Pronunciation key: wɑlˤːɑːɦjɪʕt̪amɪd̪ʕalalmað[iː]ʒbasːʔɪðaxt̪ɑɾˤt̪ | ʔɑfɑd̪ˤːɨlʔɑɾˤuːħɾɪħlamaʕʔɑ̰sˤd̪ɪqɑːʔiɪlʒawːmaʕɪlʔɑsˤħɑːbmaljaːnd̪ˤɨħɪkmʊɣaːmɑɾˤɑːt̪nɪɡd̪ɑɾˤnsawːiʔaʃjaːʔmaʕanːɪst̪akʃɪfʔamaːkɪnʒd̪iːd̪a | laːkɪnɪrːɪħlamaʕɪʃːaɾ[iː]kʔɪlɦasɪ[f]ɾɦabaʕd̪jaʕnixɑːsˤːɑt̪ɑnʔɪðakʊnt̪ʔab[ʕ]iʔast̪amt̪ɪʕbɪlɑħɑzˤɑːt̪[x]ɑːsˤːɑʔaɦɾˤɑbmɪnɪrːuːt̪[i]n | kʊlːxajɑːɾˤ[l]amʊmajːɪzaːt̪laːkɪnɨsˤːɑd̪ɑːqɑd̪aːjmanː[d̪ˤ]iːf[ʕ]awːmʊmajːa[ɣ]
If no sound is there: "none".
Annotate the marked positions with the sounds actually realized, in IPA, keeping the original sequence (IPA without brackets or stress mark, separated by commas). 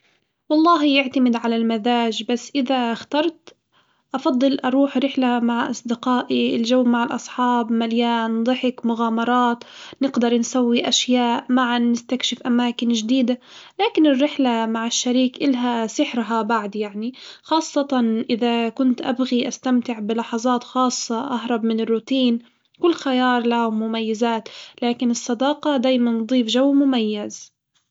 aː, iː, ħ, ɣ, x, iː, l, d̪ˤ, ʒ, z